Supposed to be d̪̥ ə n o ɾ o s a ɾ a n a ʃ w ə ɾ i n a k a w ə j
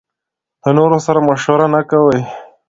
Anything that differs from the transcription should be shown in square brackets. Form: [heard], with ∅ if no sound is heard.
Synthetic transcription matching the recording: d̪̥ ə n o ɾ o s a ɾ a [m] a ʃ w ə ɾ [a] n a k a w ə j